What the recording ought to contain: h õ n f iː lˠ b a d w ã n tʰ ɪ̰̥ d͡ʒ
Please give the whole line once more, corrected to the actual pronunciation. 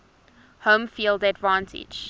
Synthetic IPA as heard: h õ m f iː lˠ d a d v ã n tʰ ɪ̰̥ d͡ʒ